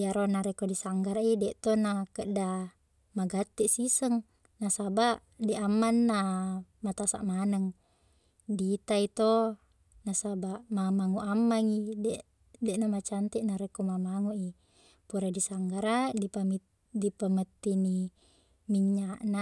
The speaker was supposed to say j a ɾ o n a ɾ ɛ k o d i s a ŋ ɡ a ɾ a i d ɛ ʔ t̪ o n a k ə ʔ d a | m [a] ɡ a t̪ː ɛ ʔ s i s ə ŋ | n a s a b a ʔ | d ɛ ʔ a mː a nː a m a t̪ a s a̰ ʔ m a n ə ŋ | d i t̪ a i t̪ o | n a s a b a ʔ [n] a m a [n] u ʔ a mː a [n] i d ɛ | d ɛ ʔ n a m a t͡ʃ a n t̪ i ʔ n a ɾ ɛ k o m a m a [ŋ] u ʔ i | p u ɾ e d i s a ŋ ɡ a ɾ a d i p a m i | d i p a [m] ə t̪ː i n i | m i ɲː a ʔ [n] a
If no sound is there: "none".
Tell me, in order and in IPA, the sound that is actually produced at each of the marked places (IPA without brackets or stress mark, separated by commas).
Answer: a, m, ŋ, ŋ, ŋ, m, n